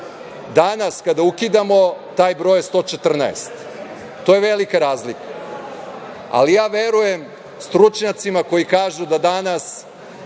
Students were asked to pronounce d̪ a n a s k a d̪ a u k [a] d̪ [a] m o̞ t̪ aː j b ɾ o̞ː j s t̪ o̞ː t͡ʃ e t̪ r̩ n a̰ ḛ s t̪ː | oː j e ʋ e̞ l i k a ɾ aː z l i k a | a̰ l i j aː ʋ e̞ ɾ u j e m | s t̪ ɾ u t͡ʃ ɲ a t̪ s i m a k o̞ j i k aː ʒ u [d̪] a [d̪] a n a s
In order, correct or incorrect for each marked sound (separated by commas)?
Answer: incorrect, correct, correct, correct